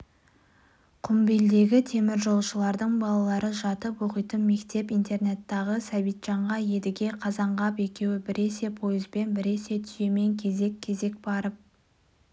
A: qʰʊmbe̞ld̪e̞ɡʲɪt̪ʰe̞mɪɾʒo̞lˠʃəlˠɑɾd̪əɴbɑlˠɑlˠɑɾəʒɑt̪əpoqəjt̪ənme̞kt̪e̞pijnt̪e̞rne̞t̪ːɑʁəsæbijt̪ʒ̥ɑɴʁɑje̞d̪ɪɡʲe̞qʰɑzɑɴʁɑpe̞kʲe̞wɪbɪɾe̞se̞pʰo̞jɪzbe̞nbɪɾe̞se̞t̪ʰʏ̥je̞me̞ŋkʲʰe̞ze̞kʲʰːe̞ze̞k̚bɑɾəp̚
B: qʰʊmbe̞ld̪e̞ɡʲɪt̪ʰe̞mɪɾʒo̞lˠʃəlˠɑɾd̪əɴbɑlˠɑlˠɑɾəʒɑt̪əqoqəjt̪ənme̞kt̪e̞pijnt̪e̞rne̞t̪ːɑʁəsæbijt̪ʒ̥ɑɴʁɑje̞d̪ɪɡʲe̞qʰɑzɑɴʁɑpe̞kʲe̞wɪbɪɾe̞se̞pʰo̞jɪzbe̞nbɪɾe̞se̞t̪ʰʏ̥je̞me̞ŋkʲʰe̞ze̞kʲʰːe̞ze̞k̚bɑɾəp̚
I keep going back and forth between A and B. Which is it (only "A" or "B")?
A